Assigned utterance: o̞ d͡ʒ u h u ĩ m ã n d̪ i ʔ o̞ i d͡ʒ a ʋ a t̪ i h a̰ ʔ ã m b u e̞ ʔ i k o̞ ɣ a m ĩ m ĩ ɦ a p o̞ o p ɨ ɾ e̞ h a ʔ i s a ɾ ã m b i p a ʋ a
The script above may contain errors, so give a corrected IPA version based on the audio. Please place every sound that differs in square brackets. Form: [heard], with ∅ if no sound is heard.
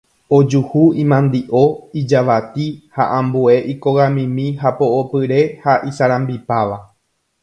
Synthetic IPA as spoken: o̞ d͡ʒ u h u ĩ m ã n d̪ i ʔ o̞ i d͡ʒ a ʋ a t̪ i h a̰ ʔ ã m b u e̞ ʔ i k o̞ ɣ a m ĩ m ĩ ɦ a p o̞ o p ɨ ɾ e̞ h a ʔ i s a ɾ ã m b i p a ʋ a